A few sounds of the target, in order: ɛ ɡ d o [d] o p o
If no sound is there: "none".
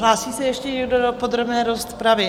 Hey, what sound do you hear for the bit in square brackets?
d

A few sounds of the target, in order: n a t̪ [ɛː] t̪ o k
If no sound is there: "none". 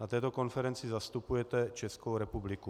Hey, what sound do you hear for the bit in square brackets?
ɛː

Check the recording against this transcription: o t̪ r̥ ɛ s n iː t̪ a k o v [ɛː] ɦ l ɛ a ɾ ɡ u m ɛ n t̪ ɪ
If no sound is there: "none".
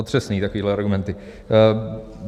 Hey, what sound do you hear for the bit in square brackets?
iː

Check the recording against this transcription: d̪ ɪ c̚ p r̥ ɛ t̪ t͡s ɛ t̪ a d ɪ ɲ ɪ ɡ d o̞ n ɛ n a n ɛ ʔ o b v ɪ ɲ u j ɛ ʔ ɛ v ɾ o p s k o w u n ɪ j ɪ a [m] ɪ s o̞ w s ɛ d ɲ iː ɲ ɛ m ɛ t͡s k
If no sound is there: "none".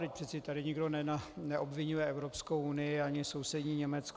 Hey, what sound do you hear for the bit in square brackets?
ɲ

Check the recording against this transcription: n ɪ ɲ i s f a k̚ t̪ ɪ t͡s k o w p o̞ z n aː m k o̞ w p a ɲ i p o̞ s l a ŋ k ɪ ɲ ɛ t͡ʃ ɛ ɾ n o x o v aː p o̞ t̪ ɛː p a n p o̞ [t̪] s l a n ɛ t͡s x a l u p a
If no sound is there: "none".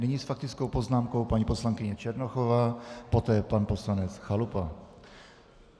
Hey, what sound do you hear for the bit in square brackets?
none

